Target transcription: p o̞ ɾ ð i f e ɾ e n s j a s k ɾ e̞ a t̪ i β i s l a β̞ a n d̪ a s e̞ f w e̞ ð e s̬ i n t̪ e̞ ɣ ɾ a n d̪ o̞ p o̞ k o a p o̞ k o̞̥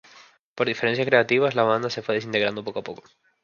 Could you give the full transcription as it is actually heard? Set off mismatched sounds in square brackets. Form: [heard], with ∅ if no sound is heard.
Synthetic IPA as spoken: p o̞ ɾ ð i f e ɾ e n s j a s k ɾ e̞ a t̪ i β [a] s l a β̞ a n d̪ a s e̞ f w e̞ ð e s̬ i n t̪ e̞ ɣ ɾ a n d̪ o̞ p o̞ k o a p o̞ k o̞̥